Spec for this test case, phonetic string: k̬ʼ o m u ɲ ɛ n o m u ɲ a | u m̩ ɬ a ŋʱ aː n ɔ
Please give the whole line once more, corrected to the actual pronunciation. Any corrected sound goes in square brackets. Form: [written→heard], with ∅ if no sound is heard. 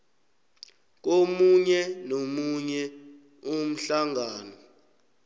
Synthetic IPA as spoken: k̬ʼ o m u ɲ ɛ n o m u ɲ [a→ɛ] | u m̩ ɬ a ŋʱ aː n ɔ